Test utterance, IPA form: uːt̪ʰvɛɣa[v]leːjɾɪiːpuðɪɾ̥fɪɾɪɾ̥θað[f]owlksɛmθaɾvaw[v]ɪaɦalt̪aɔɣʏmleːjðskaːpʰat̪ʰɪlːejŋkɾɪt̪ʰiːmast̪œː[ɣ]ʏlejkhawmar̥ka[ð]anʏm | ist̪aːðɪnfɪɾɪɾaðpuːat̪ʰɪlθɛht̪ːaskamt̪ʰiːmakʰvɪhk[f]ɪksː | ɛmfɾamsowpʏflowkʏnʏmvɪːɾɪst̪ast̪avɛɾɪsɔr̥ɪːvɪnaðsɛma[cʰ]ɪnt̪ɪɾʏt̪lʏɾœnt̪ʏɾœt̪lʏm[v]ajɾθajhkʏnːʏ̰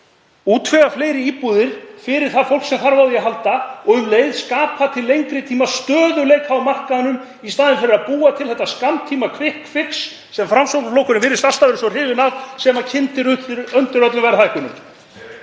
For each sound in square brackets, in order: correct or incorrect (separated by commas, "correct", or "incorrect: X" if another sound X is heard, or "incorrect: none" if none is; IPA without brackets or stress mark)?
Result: incorrect: f, correct, incorrect: ð, incorrect: ð, correct, correct, correct, correct